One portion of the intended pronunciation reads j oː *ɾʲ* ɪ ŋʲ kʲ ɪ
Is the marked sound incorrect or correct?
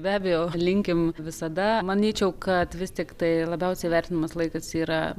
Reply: incorrect